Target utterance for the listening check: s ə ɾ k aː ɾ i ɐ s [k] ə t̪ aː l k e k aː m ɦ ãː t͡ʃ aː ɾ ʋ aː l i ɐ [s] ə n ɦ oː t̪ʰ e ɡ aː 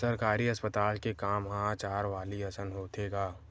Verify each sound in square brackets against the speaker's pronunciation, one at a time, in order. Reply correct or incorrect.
incorrect, correct

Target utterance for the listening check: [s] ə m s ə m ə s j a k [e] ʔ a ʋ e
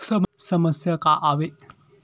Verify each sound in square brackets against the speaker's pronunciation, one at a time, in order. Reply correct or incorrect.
correct, incorrect

